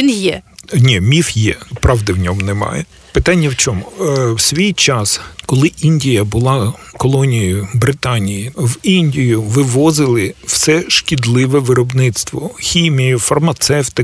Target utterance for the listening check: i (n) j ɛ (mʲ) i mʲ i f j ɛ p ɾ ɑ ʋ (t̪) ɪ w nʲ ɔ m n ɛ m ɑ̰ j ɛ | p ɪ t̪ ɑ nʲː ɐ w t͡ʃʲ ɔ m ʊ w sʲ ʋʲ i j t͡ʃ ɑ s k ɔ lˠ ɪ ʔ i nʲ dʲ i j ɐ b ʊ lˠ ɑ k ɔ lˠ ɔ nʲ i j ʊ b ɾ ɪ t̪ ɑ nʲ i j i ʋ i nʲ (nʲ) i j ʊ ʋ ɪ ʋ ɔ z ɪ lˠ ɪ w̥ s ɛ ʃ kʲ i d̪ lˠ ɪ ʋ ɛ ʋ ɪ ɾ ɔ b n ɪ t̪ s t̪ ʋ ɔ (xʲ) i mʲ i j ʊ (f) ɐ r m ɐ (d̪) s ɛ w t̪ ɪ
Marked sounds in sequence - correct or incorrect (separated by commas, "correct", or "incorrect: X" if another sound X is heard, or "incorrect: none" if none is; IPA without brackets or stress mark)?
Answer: correct, incorrect: nʲ, incorrect: d̪, incorrect: dʲ, correct, correct, incorrect: t̪